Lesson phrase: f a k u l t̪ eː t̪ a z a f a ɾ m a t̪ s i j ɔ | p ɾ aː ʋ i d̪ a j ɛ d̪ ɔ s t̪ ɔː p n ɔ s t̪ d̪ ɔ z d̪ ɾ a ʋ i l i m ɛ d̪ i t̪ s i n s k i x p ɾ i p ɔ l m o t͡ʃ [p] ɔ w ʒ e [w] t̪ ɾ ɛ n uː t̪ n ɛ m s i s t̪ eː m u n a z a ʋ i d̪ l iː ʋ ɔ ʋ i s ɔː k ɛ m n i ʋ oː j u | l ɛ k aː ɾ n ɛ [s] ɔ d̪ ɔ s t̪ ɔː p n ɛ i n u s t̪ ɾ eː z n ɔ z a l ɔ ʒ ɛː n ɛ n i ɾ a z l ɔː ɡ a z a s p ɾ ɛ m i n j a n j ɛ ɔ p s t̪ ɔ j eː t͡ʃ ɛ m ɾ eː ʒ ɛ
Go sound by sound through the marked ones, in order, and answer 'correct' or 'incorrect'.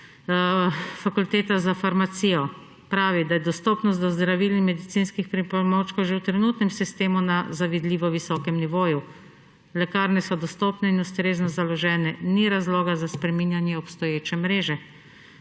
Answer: incorrect, correct, correct

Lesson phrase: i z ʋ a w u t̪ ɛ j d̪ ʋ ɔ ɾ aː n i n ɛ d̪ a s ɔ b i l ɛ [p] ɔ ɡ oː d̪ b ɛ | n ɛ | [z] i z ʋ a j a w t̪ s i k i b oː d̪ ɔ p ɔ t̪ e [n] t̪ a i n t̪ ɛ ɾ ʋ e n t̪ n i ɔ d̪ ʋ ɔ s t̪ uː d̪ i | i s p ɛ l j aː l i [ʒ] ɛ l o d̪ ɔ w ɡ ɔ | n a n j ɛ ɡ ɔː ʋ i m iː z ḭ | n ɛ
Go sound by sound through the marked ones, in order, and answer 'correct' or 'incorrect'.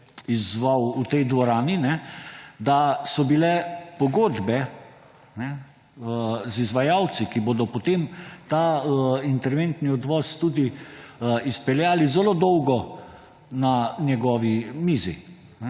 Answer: correct, correct, incorrect, incorrect

